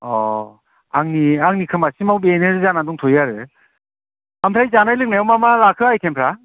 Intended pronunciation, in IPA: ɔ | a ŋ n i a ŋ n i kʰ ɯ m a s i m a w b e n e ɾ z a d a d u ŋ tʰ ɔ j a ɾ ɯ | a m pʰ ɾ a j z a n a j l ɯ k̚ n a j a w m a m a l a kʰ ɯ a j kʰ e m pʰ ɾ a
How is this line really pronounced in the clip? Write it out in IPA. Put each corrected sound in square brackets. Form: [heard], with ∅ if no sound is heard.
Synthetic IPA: ɔ | a ŋ n i a ŋ n i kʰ ɯ m a s i m a w b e n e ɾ z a [n] a d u ŋ tʰ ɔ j a ɾ ɯ | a m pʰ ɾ a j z a n a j l ɯ k̚ n a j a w m a m a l a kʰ ɯ a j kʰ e m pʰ ɾ a